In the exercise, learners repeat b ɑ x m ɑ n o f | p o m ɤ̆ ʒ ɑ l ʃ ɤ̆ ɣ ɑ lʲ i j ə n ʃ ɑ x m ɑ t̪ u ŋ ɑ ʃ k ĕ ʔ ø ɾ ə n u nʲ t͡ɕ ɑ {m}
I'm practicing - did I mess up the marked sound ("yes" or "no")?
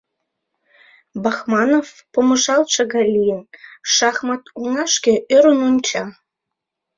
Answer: yes